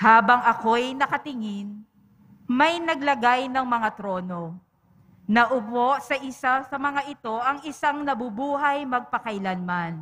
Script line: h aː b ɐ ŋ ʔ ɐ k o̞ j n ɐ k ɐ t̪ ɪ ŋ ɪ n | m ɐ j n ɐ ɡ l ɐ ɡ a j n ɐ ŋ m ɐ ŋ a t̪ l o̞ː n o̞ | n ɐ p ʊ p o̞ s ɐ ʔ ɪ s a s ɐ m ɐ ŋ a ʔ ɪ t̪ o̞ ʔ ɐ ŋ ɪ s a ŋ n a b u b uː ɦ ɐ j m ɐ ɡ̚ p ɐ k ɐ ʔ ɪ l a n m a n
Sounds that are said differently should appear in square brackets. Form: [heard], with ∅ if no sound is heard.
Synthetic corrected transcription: h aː b ɐ ŋ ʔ ɐ k o̞ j n ɐ k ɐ t̪ ɪ ŋ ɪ n | m ɐ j n ɐ ɡ l ɐ ɡ a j n ɐ ŋ m ɐ ŋ a t̪ [ɾ] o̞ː n o̞ | n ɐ [ʔ] ʊ p o̞ s ɐ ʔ ɪ s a s ɐ m ɐ ŋ a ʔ ɪ t̪ o̞ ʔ ɐ ŋ ɪ s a ŋ n [ɐ] b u b uː ɦ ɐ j m ɐ ɡ̚ p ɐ k ɐ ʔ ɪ l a n m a n